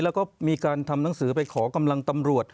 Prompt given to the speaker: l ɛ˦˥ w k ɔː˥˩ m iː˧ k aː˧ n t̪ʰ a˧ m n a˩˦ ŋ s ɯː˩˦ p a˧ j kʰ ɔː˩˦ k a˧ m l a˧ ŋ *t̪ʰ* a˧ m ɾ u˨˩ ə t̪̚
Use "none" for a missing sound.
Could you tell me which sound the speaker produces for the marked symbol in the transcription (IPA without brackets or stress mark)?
t̪